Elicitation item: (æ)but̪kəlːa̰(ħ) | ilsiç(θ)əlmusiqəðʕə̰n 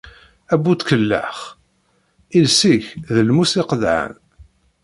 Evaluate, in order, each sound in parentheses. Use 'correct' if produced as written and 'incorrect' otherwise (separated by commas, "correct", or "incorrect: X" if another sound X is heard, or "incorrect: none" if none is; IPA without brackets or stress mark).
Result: correct, incorrect: χ, incorrect: ð